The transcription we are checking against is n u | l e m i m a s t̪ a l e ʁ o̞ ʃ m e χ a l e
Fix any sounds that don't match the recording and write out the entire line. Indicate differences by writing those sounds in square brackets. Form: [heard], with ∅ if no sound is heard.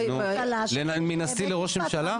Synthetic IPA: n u | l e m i [n] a s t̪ [i] l e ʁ o̞ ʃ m e [ʃ] a l [a]